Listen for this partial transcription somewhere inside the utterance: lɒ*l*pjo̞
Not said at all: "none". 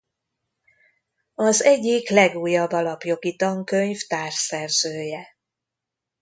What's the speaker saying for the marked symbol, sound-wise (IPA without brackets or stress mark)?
none